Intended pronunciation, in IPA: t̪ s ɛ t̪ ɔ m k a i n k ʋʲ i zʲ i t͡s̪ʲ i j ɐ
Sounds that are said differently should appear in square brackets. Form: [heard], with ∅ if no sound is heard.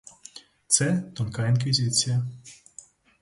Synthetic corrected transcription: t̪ s ɛ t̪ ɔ [n] k a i n k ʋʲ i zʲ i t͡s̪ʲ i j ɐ